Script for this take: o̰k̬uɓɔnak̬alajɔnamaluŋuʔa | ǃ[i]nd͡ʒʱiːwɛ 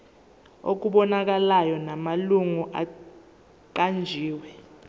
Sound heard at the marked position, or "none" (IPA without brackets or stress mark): a